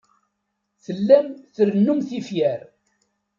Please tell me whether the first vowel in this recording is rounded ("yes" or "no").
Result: no